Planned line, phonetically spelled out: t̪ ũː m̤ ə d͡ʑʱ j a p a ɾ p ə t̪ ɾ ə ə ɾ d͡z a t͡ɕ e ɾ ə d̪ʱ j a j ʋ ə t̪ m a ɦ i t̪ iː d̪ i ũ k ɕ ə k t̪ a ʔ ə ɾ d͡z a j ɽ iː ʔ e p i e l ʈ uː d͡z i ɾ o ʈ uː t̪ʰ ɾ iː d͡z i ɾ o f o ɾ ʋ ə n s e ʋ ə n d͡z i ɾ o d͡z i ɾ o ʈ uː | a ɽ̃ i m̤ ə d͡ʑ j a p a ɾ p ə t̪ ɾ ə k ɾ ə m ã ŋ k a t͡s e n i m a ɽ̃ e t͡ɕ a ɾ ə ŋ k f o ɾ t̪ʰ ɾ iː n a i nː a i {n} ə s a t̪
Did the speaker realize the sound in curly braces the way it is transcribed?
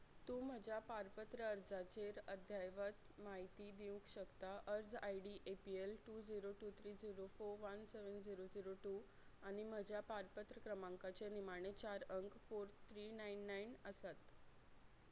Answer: yes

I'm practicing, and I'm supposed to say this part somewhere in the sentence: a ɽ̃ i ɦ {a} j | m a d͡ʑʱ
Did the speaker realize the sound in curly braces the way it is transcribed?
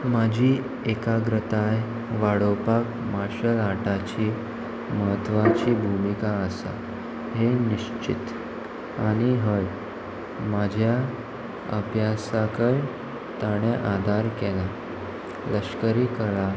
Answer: no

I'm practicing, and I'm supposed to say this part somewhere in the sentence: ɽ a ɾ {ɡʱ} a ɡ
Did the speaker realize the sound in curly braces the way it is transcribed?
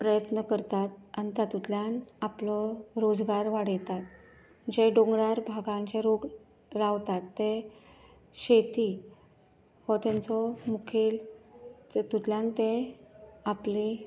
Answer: no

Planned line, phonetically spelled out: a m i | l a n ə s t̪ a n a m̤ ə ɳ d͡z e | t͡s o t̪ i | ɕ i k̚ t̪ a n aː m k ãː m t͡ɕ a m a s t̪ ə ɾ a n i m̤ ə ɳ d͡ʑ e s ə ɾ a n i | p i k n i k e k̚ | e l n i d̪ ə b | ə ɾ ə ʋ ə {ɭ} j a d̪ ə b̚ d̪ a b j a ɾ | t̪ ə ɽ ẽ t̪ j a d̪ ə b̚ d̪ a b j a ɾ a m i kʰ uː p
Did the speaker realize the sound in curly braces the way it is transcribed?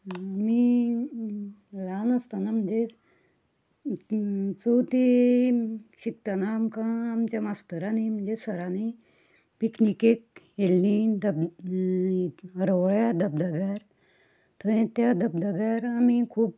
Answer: yes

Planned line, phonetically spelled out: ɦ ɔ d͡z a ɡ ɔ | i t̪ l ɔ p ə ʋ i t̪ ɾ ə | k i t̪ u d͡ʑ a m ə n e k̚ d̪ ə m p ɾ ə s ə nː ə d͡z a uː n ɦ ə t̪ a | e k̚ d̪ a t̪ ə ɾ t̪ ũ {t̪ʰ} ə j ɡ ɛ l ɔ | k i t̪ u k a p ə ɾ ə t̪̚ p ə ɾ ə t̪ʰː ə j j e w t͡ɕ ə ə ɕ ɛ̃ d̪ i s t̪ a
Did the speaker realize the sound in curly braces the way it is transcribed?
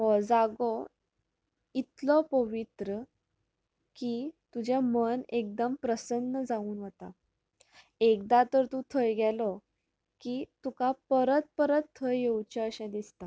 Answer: yes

